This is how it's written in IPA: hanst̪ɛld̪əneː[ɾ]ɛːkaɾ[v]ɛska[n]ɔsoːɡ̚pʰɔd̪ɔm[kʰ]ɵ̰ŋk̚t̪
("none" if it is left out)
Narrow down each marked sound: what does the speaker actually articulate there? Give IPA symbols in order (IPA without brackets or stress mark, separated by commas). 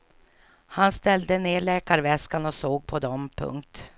ɭ, v, n, pʰ